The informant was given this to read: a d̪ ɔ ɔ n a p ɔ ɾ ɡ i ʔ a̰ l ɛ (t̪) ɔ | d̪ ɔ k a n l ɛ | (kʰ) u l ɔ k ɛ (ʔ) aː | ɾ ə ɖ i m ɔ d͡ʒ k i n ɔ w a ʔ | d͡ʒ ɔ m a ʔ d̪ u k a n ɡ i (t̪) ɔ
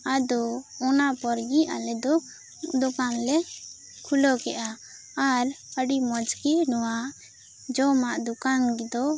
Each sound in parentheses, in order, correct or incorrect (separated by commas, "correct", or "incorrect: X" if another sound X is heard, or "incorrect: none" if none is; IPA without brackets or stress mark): incorrect: d̪, correct, correct, incorrect: d̪